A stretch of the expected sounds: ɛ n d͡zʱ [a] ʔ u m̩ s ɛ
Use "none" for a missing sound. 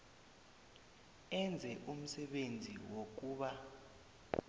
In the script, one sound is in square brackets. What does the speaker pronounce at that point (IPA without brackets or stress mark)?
ɛ